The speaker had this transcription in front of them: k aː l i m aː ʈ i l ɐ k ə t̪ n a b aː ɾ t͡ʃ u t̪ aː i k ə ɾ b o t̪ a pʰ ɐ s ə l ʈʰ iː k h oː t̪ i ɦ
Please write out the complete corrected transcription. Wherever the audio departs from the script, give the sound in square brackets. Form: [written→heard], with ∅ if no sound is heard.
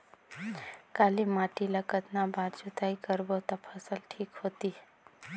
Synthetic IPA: k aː l i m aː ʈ i l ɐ k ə t̪ n a b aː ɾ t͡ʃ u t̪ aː i k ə ɾ b o t̪ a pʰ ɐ s ə l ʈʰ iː k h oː t̪ i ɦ